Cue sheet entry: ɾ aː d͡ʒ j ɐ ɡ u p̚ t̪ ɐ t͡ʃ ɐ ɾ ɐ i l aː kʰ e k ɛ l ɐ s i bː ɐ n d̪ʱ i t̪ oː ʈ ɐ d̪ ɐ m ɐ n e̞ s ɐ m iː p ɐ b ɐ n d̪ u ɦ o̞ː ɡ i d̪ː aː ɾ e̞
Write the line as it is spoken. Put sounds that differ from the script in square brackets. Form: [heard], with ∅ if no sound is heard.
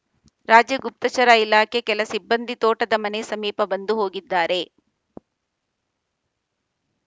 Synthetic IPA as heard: ɾ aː d͡ʒ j ɐ ɡ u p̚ t̪ ɐ t͡ʃ ɐ ɾ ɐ i l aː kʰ e k ɛ l ɐ s i bː ɐ n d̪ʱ i t̪ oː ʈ ɐ d̪ ɐ m ɐ n e̞ s ɐ m iː p ɐ b ɐ n d̪ u ɦ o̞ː ɡ i d̪ː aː ɾ e̞